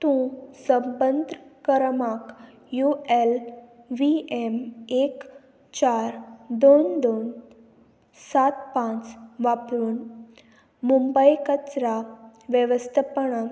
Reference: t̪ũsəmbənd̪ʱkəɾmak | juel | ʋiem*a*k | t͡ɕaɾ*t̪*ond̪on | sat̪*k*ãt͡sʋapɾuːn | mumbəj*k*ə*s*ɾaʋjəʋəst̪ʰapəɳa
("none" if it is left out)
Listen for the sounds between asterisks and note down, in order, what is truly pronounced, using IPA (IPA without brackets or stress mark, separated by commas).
e, d̪, p, k, t͡s